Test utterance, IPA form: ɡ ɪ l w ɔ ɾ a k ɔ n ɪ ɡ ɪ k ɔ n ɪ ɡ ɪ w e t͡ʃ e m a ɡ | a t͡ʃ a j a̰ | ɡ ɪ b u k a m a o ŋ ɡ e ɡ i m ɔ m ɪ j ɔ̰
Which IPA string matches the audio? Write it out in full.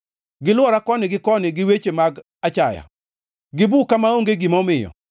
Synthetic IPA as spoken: ɡ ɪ l w ɔ ɾ a k ɔ n ɪ ɡ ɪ k ɔ n ɪ ɡ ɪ w e t͡ʃ e m a ɡ | a t͡ʃ a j a̰ | ɡ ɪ b u k a m a o ŋ ɡ e ɡ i m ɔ m ɪ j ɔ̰